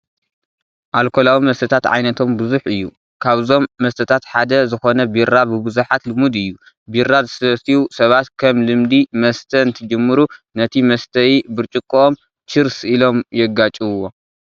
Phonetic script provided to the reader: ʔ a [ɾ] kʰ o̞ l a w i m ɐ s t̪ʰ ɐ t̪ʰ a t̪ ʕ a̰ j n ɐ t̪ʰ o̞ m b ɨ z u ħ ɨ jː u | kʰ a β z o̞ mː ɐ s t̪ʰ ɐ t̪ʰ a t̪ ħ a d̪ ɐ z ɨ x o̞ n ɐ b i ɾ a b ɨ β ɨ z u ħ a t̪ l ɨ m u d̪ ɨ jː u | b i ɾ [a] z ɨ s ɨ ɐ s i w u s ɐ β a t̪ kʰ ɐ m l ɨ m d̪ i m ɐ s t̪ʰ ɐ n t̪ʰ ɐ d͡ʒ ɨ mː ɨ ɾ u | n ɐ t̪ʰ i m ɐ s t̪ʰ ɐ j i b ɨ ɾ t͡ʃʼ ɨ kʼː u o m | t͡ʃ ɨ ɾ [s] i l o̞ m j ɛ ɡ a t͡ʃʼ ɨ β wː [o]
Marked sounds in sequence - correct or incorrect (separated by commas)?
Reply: incorrect, correct, correct, correct